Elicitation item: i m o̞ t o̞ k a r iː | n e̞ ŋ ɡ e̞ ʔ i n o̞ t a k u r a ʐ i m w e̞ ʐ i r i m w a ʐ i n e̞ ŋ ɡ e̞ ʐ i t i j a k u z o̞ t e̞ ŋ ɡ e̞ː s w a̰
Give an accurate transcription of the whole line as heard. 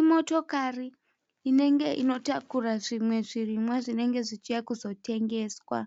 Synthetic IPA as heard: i m o̞ t o̞ k a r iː | n e̞ ŋ ɡ e̞ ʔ i n o̞ t a k u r a ʐ i m w e̞ ʐ i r i m w a ʐ i n e̞ ŋ ɡ e̞ ʐ i t͡ʃ i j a k u z o̞ t e̞ ŋ ɡ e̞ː s w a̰